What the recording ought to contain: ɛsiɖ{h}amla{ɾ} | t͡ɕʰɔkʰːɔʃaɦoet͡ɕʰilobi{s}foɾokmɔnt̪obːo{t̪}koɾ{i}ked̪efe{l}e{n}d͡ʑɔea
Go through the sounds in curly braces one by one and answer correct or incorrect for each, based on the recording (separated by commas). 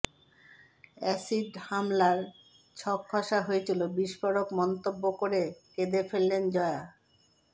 correct, correct, incorrect, incorrect, incorrect, incorrect, correct